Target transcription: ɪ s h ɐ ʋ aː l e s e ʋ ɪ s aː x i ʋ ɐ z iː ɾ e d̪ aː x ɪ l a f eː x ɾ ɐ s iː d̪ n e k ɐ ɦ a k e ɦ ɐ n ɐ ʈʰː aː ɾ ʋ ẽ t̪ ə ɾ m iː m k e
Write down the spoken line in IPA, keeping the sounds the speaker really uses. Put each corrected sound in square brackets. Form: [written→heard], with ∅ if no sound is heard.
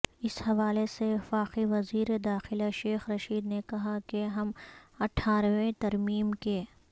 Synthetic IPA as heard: ɪ s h ɐ ʋ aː l e s e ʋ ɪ [s→f] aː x i ʋ ɐ z iː ɾ e d̪ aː x ɪ l a [f→ʃ] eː x ɾ ɐ [s→ʃ] iː d̪ n e k ɐ ɦ a k e ɦ ɐ [n→m] ɐ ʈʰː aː ɾ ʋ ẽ t̪ [ə→ɐ] ɾ m iː m k e